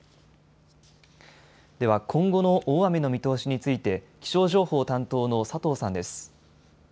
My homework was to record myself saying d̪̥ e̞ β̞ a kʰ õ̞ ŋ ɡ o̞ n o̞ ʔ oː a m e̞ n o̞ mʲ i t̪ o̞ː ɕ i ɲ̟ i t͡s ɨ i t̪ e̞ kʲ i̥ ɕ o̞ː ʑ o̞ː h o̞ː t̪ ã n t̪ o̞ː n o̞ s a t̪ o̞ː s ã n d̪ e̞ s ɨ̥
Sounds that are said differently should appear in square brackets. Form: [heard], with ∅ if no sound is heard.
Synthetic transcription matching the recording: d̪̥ e̞ β̞ a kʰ õ̞ ŋ ɡ o̞ n o̞ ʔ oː a m e̞ n o̞ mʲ i t̪ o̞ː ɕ i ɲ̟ i t͡s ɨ i t̪ e̞ kʲ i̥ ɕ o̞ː ʑ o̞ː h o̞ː t̪ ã n t̪ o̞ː n o̞ s a t̪ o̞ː s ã n d̪ e̞ s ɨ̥